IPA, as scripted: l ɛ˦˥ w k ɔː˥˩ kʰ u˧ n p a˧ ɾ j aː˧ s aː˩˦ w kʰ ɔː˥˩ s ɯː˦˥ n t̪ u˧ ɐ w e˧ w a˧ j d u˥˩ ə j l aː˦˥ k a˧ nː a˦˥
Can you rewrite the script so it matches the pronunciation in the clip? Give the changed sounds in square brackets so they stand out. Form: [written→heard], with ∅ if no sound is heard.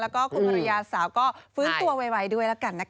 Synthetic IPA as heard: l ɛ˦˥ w k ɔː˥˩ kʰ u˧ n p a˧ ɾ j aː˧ s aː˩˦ w [kʰ→k] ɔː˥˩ [s→f] ɯː˦˥ n t̪ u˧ ɐ w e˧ w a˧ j d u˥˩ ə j l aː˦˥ k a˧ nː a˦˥